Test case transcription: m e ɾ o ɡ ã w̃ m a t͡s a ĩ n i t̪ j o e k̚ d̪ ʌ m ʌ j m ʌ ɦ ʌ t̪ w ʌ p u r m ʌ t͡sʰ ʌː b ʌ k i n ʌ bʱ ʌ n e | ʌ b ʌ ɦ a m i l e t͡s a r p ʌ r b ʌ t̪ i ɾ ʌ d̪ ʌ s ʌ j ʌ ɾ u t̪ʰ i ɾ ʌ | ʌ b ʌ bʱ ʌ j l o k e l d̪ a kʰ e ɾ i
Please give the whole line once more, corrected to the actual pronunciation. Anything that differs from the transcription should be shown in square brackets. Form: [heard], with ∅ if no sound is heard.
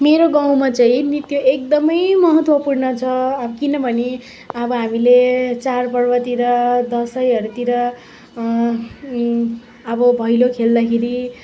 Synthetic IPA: m e ɾ o ɡ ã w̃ m a t͡s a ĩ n i t̪ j o e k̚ d̪ ʌ m ʌ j m ʌ ɦ ʌ t̪ w ʌ p u r [n] ʌ t͡sʰ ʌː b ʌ k i n ʌ bʱ ʌ n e | ʌ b ʌ ɦ a m i l e t͡s a r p ʌ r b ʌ t̪ i ɾ ʌ d̪ ʌ s ʌ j ʌ ɾ u [t̪] i ɾ ʌ | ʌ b ʌ bʱ ʌ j l o [kʰ] e l d̪ a kʰ e ɾ i